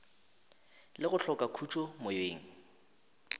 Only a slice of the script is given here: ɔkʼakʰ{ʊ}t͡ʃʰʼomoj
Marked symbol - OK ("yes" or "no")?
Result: no